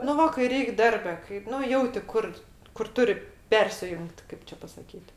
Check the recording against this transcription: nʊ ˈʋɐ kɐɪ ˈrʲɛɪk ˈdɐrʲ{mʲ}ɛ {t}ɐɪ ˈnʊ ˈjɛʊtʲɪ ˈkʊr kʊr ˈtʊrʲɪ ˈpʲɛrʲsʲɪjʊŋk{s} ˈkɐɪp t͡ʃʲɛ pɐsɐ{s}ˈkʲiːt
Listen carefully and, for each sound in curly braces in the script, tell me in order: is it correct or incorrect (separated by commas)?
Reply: incorrect, incorrect, incorrect, incorrect